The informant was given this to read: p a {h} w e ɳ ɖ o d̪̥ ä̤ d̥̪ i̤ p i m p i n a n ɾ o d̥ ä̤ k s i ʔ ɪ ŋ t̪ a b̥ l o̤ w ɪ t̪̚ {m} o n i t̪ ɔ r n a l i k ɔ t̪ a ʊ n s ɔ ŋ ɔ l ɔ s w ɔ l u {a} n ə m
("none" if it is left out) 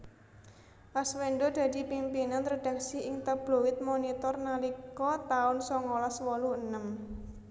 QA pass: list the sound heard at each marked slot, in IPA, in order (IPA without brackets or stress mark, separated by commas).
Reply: s, m, ə